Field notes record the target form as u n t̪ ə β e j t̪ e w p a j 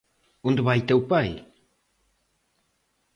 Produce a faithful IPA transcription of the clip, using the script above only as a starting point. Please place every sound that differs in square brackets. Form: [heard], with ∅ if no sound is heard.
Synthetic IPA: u n [d̪] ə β [a] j t̪ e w p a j